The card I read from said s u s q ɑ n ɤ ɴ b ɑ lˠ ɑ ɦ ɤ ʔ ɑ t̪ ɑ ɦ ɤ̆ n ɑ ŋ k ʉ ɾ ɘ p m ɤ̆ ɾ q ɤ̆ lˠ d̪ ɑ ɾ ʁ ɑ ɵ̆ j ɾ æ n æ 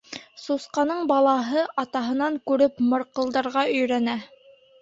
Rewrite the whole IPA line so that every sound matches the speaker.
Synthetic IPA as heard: s u s q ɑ n ɤ ɴ b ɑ lˠ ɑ ɦ ɤ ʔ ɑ t̪ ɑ ɦ ɤ̆ n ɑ ŋ k ʉ ɾ ɘ p m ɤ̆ ɾ q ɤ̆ lˠ d̪ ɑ ɾ ʁ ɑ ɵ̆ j ɾ æ n æ